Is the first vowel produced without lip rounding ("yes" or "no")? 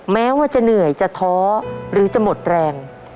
yes